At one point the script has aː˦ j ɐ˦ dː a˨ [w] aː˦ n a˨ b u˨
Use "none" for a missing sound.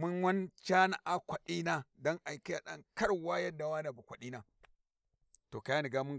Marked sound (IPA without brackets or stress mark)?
w